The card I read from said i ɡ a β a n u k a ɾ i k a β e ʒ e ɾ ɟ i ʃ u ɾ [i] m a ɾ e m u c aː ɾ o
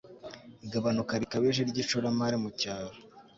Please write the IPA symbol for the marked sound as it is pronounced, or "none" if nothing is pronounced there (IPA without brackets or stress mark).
a